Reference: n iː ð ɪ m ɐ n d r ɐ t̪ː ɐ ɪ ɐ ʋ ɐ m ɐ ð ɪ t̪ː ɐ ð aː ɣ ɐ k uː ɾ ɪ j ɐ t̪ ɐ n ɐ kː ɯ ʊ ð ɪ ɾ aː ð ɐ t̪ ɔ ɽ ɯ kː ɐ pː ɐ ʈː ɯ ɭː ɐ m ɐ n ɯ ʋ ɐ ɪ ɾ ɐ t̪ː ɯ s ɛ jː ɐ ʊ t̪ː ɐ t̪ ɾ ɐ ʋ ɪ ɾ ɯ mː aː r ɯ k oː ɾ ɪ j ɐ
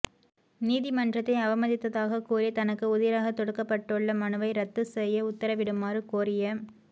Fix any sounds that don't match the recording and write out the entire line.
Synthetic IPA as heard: n iː ð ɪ m ɐ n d r ɐ t̪ː ɐ ɪ ɐ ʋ ɐ m ɐ ð ɪ t̪ː ɐ ð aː ɣ ɐ k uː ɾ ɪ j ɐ t̪ ɐ n ɐ kː ɯ ʊ ð ɪ ɾ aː ɣ ɐ t̪ ɔ ɽ ɯ kː ɐ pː ɐ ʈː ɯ ɭː ɐ m ɐ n ɯ ʋ ɐ ɪ ɾ ɐ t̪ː ɯ s ɛ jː ɐ ʊ t̪ː ɐ ɾ ɐ ʋ ɪ ɽ ɯ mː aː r ɯ k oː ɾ ɪ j ɐ

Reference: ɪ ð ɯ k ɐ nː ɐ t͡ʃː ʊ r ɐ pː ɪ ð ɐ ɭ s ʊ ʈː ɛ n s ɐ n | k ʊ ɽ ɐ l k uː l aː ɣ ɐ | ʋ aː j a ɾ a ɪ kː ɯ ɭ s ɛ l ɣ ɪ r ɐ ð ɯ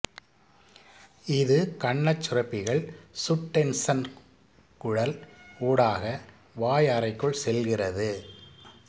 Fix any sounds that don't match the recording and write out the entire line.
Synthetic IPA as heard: ɪ ð ɯ k ɐ ɳː ɐ t͡ʃː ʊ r ɐ pː ɪ ɣ ɐ ɭ s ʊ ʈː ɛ n s ɐ n | k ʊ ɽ ɐ l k uː ɽ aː ɣ ɐ | ʋ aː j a ɾ ɐ ɪ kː ɯ ɭ s ɛ l ɣ ɪ r ɐ ð ɯ

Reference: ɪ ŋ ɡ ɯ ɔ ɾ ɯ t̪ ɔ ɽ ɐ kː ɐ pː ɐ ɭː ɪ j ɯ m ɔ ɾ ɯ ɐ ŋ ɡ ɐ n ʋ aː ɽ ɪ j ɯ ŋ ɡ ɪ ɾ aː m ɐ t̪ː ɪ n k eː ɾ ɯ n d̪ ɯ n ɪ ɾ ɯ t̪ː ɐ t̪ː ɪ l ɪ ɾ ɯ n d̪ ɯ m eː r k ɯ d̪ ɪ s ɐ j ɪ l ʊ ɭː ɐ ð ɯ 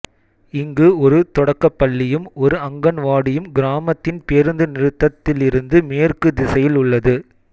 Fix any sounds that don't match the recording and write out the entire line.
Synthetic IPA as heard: ɪ ŋ ɡ ɯ ɔ ɾ ɯ t̪ ɔ ɽ ɐ kː ɐ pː ɐ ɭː ɪ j ɯ m ɔ ɾ ɯ ɐ ŋ ɡ ɐ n ʋ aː ɽ ɪ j ɯ m ɡ ɪ ɾ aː m ɐ t̪ː ɪ n p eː ɾ ɯ n d̪ ɯ n ɪ ɾ ɯ t̪ː ɐ t̪ː ɪ l ɪ ɾ ɯ n d̪ ɯ m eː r k ɯ d̪ ɪ s ɐ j ɪ l ʊ ɭː ɐ ð ɯ

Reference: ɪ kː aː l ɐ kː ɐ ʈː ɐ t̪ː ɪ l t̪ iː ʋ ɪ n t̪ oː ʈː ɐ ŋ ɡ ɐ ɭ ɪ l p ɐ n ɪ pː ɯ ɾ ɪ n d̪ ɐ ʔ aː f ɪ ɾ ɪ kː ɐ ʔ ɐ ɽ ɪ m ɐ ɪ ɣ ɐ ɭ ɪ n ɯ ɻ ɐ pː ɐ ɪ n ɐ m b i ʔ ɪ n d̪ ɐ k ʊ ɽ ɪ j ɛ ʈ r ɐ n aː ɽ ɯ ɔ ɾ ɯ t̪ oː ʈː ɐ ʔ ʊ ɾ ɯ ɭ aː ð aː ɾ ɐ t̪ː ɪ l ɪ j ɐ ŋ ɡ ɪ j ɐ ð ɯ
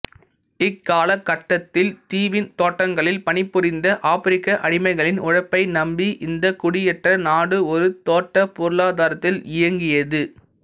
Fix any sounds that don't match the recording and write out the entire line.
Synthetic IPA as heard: ɪ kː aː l ɐ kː ɐ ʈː ɐ t̪ː ɪ l t̪ iː ʋ ɪ n t̪ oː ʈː ɐ ŋ ɡ ɐ ɭ ɪ l p ɐ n ɪ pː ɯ ɾ ɪ n d̪ ɐ ʔ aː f ɪ ɾ ɪ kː ɐ ʔ ɐ ɽ ɪ m ɐ ɪ ɣ ɐ ɭ ɪ n ʊ ɻ ɐ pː ɐ ɪ n ɐ m b i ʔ ɪ n d̪ ɐ k ʊ ɽ ɪ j ɛ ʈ r ɐ n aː ɽ ɯ ɔ ɾ ɯ t̪ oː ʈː ɐ p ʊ ɾ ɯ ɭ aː ð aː ɾ ɐ t̪ː ɪ l ɪ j ɐ ŋ ɡ ɪ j ɐ ð ɯ

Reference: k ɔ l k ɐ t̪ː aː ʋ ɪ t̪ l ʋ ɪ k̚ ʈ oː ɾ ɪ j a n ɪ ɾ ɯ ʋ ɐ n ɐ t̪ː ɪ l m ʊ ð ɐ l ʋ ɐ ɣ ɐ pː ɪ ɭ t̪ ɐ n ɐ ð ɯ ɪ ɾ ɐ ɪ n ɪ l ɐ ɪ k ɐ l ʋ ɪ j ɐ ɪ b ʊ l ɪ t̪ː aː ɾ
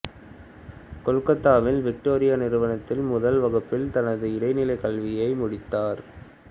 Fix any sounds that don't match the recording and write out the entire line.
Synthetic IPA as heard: k ɔ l k ɐ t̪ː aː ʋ ɪ l ʋ ɪ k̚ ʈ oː ɾ ɪ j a n ɪ ɾ ɯ ʋ ɐ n ɐ t̪ː ɪ l m ʊ ð ɐ l ʋ ɐ ɣ ɐ pː ɪ l t̪ ɐ n ɐ ð ɯ ɪ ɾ ɐ ɪ n ɪ l ɐ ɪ k ɐ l ʋ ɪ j ɐ ɪ m ʊ ɽ ɪ t̪ː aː ɾ

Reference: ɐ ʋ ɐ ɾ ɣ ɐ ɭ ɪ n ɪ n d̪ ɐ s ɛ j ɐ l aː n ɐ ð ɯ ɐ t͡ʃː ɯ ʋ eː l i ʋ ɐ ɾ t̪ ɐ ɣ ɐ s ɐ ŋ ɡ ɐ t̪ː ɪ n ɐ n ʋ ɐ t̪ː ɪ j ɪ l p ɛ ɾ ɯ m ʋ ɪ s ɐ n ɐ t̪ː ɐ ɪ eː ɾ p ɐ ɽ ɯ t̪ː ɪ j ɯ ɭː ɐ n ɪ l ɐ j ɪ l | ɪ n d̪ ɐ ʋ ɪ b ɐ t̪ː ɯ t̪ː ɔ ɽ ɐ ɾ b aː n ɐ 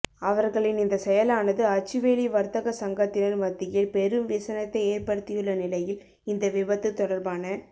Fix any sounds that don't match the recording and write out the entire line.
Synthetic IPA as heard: ɐ ʋ ɐ ɾ ɣ ɐ ɭ ɪ n ɪ n d̪ ɐ s ɛ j ɐ l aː n ɐ ð ɯ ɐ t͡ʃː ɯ ʋ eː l i ʋ ɐ ɾ t̪ ɐ ɣ ɐ s ɐ ŋ ɡ ɐ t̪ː ɪ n ɐ n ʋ ɐ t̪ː ɪ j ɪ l p ɛ ɾ ɯ m ʋ ɪ s ɐ n ɐ t̪ː ɐ ɪ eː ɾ p ɐ ɽ ɯ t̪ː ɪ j ɯ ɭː ɐ n ɪ l ɐ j ɪ l | ɪ n d̪ ɐ ʋ ɪ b ɐ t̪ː ɯ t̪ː ɔ ɽ ɐ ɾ b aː n ɐ

